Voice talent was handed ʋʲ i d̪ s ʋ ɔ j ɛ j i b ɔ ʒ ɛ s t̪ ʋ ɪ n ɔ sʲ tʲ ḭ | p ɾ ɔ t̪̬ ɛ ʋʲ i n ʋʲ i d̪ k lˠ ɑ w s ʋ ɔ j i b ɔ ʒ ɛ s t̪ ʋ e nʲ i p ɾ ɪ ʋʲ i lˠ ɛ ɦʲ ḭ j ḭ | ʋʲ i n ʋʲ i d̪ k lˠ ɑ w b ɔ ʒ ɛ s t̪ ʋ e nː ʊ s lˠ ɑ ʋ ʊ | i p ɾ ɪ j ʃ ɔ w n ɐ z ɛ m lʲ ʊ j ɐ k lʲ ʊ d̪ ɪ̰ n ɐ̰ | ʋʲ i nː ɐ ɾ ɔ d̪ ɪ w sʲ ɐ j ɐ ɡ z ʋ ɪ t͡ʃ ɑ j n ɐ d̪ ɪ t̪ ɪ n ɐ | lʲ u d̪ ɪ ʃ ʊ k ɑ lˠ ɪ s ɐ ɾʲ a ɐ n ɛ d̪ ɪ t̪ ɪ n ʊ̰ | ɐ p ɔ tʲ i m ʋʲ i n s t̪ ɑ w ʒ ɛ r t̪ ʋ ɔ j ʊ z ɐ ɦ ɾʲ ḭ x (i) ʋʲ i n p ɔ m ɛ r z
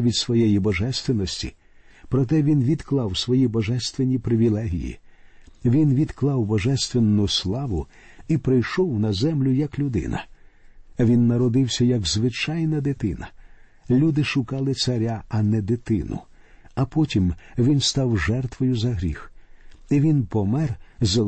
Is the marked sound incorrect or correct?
correct